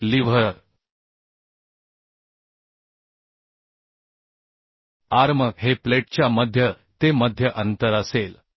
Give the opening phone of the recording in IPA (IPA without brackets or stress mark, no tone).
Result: l